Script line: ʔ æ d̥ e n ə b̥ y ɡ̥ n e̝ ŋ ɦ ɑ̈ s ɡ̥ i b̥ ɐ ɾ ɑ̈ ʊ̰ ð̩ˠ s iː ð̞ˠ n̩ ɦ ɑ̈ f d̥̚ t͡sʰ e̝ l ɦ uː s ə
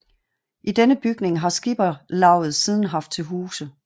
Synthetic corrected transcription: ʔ i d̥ e n ə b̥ y ɡ̥ n e̝ ŋ ɦ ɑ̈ s ɡ̥ i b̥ ɐ l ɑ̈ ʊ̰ ð̩ˠ s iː ð̞ˠ n̩ ɦ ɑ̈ f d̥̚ t͡sʰ e̝ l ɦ uː s ə